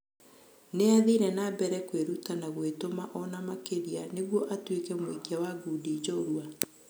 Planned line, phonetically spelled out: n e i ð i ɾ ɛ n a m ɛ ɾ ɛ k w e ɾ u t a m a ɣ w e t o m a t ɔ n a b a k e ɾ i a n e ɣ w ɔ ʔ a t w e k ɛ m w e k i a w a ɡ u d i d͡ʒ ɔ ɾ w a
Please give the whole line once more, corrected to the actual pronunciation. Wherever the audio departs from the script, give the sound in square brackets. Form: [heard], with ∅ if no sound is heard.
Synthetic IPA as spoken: n e [a] ð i ɾ ɛ n a [b] ɛ ɾ ɛ k w e ɾ u t a [n] a ɣ w e t o m a [ʔ] ɔ n a [m] a k e ɾ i a n e ɣ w ɔ ʔ a t w e k ɛ m w e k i a w a ɡ u d i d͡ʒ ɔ ɾ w a

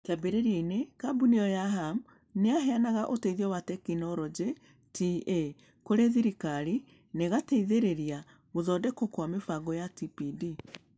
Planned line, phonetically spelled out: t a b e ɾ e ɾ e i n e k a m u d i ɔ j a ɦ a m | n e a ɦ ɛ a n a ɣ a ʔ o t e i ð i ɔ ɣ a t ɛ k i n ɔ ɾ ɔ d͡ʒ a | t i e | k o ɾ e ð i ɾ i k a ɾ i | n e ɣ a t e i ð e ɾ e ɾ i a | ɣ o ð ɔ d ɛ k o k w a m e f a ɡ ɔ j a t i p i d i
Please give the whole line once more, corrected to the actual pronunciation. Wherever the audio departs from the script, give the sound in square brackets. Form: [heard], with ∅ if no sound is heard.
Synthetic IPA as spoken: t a b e ɾ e ɾ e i n e k a [b] u [n] i ɔ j a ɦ a m | n e a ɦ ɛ a n a ɣ a ʔ o t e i ð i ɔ [w] a t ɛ k i n ɔ ɾ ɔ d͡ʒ [e] | t i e | k o ɾ e ð i ɾ i k a ɾ i | n e ɣ a t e i ð e ɾ e ɾ i a | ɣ o ð ɔ d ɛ k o k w a m e f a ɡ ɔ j a t i p i d i

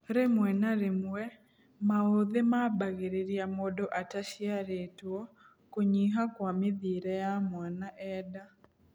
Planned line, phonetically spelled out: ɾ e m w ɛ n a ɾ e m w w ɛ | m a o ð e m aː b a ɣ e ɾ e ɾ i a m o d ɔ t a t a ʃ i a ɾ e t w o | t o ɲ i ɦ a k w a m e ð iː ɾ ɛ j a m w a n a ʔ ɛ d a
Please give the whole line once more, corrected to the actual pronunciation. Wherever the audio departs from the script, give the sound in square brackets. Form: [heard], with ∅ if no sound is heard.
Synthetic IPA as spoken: ɾ e m w ɛ n a ɾ e m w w ɛ | m a o ð e m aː b a ɣ e ɾ e ɾ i a m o d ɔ [ʔ] a t a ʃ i a ɾ e t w [ɔ] | [k] o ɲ i ɦ a k w a m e ð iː ɾ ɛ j a m w a n a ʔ ɛ d a

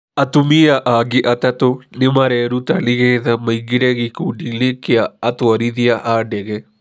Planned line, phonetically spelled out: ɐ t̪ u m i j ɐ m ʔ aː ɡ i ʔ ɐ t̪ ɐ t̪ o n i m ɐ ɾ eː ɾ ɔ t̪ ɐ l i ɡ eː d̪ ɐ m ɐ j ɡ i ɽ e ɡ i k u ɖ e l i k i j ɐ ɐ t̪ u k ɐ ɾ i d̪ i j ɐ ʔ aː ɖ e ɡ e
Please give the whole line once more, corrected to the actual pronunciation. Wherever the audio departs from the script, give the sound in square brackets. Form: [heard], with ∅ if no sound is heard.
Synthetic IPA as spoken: ɐ t̪ u m i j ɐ [∅] ʔ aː ɡ i ʔ ɐ t̪ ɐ t̪ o n i m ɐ ɾ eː ɾ [u] t̪ ɐ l i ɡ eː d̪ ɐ m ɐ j ɡ i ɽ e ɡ i k u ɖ [i] l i k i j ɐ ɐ t̪ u [∅] ɐ ɾ i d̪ i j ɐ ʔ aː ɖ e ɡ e

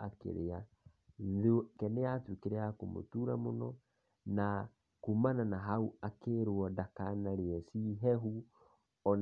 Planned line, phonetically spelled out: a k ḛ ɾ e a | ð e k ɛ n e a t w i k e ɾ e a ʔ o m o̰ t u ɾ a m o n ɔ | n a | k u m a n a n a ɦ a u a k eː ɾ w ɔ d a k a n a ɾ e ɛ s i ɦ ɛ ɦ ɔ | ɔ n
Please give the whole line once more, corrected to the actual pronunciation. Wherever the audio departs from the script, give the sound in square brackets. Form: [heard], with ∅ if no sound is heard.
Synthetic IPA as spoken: a k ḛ ɾ e a | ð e k ɛ n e a t w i k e ɾ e a [k] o m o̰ t u ɾ a m o n ɔ | n a | k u m a n a n a ɦ a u a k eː ɾ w ɔ d a k a n a ɾ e ɛ s i ɦ ɛ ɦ [u] | ɔ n

